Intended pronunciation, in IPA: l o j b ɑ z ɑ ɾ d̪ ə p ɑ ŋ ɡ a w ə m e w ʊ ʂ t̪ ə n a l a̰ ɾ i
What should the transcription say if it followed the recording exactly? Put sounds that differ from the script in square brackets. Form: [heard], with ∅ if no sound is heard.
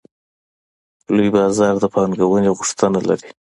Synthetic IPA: l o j b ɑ z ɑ ɾ d̪ ə p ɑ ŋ ɡ a w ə [n] e [ɣ] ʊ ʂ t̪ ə n a l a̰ ɾ i